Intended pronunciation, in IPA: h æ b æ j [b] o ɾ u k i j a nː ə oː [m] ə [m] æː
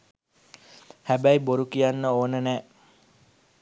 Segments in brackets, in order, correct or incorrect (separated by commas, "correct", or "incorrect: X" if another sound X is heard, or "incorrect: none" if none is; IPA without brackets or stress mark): correct, incorrect: n, incorrect: n